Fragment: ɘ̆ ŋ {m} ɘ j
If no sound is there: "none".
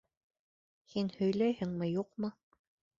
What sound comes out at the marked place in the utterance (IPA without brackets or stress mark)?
m